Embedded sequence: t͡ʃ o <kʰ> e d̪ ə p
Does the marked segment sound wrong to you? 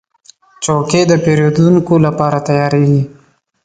yes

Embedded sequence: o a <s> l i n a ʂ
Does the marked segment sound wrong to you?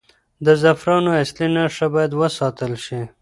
no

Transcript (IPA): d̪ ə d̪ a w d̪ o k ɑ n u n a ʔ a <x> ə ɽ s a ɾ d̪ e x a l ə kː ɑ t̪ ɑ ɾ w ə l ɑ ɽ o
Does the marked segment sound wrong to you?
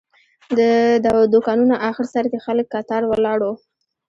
no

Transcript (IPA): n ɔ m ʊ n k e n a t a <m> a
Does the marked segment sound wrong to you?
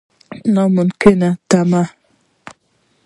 no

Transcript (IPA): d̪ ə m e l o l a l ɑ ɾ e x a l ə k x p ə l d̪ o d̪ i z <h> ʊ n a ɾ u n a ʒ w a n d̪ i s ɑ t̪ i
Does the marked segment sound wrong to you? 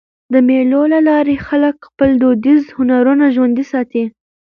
no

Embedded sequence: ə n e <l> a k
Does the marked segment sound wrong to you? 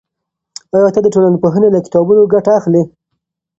no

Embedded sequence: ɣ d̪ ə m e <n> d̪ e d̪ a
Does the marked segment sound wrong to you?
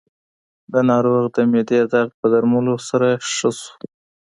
yes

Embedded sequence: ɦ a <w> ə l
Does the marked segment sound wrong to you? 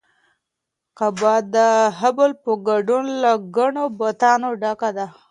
yes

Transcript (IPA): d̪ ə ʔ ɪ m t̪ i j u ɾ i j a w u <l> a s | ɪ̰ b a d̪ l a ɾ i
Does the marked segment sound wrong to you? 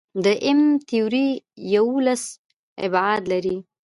no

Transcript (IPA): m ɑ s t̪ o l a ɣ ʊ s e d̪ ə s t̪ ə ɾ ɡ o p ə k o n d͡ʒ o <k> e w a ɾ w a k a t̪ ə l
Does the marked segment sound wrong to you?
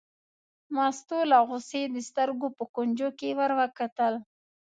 no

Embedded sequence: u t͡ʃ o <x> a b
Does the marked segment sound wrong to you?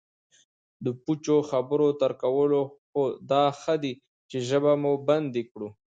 no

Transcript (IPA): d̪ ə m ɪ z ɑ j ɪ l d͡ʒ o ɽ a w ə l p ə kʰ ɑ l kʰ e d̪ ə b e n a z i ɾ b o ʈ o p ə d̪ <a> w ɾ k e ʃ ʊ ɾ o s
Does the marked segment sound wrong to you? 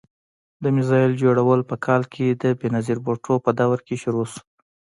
no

